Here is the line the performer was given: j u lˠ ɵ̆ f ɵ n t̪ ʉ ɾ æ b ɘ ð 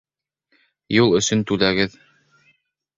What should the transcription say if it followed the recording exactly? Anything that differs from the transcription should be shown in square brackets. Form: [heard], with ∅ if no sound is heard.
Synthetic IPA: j u lˠ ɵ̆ [s] ɵ n t̪ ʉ [l] æ [ɡ] ɘ ð